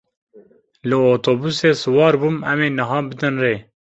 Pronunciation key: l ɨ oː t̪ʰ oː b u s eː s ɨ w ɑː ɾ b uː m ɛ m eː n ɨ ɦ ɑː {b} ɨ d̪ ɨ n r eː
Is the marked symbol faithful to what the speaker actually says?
yes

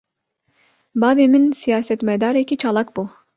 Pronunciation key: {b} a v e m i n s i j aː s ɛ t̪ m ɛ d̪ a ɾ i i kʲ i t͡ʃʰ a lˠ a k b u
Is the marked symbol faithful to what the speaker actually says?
yes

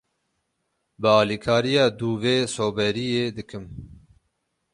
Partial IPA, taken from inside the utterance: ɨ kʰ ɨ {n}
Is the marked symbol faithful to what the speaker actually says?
no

